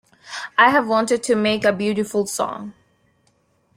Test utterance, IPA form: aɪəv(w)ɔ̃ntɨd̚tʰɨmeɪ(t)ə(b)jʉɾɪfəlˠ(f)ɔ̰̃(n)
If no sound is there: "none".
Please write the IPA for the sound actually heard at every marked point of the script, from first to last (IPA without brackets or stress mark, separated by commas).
w, k, b, s, ŋ